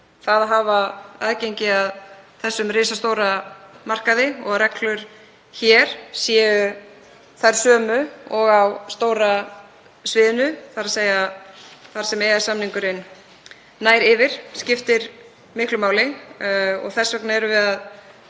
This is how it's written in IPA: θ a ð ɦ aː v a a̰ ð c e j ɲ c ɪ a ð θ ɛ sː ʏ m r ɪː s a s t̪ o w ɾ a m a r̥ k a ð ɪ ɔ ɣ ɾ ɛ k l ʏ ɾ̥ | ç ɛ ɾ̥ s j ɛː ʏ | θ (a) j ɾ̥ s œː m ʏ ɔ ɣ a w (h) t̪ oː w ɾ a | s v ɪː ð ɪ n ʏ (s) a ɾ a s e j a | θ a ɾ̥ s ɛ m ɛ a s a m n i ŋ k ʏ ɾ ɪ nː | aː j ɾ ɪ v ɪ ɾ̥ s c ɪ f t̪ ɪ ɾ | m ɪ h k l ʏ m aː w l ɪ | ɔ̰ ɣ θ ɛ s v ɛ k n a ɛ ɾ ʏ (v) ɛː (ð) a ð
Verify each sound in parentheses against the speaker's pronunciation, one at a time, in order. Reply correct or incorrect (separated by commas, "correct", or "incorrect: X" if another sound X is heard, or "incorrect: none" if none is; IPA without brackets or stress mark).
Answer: correct, incorrect: s, incorrect: θ, correct, correct